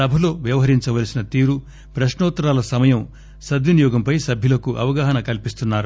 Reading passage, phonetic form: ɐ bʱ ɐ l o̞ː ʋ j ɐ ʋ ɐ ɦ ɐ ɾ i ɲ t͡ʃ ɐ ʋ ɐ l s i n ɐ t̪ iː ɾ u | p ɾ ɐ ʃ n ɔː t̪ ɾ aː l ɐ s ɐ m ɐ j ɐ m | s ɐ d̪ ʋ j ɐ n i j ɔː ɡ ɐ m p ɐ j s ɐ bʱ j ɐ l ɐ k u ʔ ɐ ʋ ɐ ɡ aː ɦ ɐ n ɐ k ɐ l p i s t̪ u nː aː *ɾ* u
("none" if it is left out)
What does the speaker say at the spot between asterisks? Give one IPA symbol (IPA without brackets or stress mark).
ɾ